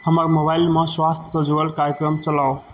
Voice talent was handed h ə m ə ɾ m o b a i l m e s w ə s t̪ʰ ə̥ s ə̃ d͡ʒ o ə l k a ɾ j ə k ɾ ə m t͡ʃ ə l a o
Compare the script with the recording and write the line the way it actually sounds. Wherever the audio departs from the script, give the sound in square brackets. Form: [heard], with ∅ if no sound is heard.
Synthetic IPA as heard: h ə m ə ɾ m o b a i l m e s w [a] s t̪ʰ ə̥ s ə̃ d͡ʒ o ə l k a ɾ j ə k ɾ ə m t͡ʃ ə l a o